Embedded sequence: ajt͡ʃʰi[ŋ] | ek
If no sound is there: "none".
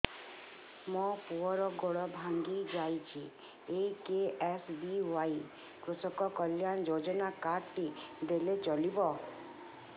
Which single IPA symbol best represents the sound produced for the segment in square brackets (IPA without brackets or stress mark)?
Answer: none